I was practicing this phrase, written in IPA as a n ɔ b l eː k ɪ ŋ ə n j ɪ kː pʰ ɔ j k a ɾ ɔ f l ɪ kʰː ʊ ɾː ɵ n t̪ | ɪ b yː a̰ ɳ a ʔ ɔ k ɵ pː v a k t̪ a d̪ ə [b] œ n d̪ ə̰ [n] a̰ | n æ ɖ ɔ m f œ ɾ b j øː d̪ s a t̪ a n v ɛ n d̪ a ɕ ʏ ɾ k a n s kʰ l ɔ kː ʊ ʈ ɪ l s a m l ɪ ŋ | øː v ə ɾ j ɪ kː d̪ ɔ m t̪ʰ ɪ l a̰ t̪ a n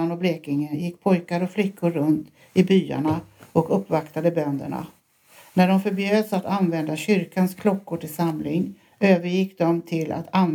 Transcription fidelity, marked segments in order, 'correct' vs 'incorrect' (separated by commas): correct, incorrect